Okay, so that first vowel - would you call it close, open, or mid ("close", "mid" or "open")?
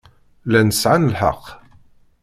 open